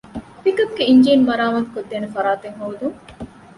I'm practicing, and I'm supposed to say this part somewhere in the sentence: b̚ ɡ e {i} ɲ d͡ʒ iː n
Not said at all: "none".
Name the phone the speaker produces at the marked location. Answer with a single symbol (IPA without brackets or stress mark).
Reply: i